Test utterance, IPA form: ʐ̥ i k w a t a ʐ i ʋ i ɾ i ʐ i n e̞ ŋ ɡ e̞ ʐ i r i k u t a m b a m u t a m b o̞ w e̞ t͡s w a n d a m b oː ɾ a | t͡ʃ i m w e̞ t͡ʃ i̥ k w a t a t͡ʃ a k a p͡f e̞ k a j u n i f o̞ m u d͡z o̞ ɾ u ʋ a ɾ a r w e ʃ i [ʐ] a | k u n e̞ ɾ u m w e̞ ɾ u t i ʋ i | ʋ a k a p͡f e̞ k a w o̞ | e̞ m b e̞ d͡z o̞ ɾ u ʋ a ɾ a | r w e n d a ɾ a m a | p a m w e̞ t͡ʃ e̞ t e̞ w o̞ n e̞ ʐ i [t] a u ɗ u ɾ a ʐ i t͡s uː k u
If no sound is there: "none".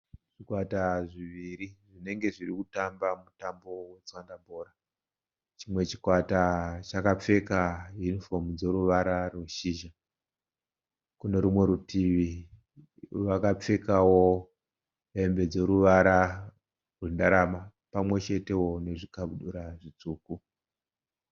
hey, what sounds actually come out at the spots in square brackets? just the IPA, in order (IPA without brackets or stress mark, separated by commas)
ʒ, k